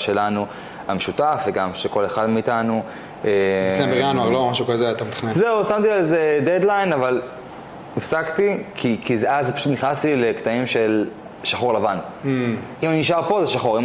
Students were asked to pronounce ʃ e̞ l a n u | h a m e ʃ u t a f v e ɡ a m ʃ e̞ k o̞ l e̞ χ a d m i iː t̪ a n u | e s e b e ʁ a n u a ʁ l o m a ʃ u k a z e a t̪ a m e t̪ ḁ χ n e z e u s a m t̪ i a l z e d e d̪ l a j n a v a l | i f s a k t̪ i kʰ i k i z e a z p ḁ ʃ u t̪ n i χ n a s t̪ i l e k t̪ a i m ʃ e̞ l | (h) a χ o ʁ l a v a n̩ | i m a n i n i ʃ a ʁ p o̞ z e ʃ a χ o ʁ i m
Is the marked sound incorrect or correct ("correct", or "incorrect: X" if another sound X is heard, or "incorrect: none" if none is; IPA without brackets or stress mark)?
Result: incorrect: ʃ